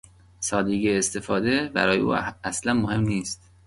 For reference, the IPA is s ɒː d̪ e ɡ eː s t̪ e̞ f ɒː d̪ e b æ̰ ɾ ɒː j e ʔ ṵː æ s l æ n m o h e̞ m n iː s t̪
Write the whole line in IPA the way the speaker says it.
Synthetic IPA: s ɒː d̪ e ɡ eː s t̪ e̞ f ɒː d̪ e b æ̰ ɾ ɒː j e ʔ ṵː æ s l æ n m o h e̞ m n iː s t̪